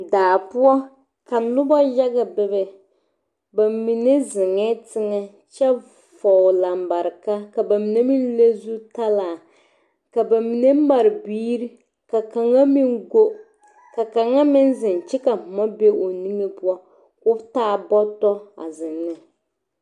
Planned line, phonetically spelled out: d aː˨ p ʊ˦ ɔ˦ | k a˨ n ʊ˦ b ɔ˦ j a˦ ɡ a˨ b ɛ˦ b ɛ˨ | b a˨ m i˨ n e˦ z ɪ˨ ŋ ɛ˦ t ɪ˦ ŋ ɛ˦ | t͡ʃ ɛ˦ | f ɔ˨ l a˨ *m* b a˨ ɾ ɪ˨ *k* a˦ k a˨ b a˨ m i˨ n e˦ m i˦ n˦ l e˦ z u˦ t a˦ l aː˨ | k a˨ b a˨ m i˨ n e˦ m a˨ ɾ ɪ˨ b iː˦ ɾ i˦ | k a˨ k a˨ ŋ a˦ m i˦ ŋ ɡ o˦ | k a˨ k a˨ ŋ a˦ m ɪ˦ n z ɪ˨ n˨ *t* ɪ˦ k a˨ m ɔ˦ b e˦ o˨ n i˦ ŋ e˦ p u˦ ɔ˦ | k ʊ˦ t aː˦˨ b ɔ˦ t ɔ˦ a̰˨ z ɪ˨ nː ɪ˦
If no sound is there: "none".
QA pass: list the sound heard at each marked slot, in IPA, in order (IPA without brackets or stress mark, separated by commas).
m, k, t͡ʃ